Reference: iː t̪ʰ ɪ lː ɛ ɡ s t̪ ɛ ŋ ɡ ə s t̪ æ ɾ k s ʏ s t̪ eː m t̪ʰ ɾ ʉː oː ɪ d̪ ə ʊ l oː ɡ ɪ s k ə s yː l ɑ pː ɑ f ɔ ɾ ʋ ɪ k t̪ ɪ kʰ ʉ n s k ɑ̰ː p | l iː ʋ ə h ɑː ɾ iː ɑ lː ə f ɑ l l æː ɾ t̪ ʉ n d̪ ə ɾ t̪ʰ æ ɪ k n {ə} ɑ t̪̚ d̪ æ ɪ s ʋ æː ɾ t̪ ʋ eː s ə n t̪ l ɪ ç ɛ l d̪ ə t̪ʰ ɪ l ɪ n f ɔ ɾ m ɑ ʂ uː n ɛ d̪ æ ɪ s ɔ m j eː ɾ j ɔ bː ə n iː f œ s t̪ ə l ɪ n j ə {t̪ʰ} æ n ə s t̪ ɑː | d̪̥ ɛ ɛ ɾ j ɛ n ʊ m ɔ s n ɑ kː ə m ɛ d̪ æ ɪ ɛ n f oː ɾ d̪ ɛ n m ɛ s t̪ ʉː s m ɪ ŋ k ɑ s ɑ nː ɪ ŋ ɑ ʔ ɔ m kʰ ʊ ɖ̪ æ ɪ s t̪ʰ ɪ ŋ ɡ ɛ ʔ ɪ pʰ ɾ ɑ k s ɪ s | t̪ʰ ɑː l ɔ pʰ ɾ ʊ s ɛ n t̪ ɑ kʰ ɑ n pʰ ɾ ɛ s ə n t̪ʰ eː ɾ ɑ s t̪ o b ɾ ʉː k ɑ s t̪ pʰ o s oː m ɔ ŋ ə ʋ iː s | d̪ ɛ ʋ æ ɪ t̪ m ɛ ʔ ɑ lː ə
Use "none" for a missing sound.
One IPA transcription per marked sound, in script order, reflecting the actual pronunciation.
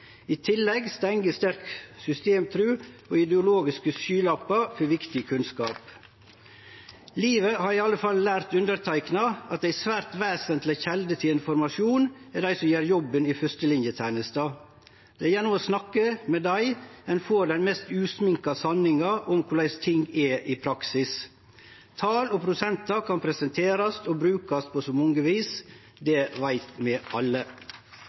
ɑ, t̪ʰ

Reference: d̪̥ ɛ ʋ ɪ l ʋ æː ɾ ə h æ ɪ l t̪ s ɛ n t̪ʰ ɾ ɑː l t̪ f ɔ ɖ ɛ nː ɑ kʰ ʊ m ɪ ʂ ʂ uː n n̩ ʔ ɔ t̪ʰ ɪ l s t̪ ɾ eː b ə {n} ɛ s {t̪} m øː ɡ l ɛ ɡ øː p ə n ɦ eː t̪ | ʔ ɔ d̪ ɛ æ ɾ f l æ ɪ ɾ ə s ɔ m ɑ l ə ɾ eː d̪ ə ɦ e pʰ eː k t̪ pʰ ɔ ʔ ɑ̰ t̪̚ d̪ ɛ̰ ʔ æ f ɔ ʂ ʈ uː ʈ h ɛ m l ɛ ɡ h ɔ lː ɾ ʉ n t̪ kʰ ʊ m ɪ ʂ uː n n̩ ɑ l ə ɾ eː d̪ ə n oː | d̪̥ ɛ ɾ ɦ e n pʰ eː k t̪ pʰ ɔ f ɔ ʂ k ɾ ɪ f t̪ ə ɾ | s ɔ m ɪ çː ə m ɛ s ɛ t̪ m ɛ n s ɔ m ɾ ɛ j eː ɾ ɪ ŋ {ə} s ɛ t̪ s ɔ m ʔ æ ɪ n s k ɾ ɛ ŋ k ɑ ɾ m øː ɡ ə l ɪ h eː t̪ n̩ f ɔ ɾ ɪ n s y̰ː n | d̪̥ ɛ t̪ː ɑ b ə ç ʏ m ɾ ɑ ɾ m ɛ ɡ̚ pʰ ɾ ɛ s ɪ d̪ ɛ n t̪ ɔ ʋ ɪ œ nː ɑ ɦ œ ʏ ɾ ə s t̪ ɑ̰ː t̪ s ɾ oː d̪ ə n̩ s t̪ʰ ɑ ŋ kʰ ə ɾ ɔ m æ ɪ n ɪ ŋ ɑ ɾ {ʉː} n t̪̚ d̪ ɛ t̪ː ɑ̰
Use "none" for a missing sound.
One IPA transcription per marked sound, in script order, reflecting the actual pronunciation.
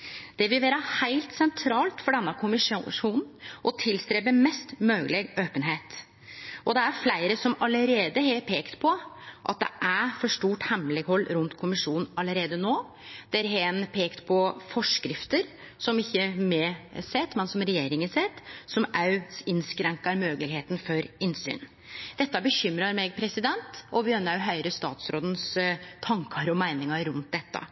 m, t̪, ə, ʉ

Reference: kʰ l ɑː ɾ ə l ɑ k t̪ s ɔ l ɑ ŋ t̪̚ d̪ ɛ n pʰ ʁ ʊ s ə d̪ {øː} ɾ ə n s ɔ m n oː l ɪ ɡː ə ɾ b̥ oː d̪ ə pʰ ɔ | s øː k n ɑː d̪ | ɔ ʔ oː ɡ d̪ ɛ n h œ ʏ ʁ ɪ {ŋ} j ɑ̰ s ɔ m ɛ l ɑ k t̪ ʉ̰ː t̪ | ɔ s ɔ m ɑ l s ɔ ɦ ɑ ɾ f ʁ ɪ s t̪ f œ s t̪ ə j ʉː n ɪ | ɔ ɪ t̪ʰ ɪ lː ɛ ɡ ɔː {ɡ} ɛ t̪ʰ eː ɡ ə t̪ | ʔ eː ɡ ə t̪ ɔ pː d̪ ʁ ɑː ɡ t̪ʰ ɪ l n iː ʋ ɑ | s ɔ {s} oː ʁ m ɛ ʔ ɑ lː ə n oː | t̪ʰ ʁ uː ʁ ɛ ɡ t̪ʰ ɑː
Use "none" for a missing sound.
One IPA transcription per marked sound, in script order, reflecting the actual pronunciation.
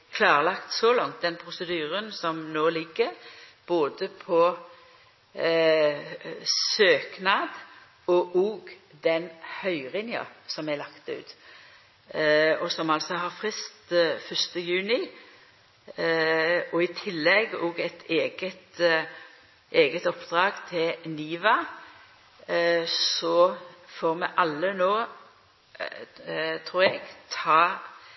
yː, n, ɡ, f

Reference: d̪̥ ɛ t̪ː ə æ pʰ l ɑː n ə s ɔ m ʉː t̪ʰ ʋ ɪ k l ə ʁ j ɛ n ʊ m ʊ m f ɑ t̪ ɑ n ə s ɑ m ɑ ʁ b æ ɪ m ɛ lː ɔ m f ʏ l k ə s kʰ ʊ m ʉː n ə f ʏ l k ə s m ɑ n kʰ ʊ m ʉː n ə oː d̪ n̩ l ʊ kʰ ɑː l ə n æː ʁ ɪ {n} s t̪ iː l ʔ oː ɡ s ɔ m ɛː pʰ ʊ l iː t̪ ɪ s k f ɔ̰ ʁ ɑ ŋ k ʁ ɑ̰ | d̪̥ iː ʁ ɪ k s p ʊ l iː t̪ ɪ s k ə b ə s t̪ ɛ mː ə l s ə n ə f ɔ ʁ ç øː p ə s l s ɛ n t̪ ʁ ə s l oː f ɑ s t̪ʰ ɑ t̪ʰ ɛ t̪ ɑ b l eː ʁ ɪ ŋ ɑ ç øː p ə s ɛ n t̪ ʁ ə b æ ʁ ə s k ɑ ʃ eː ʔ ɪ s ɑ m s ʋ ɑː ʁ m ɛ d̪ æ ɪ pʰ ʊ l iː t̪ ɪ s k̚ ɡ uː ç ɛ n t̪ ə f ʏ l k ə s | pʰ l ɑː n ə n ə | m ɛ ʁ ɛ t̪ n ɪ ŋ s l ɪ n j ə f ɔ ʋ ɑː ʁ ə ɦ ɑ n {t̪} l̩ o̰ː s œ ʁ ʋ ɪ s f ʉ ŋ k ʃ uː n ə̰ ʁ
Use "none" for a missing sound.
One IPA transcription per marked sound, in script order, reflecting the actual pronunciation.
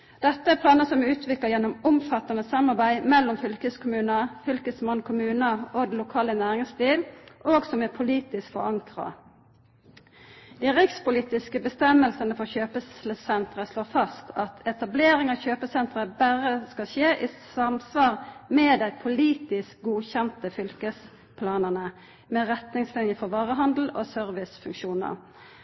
ŋ, d̪

